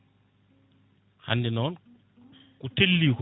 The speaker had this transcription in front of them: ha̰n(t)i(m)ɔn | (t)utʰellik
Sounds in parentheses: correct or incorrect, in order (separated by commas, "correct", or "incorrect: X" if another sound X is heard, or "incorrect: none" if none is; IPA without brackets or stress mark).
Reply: incorrect: d, incorrect: n, incorrect: k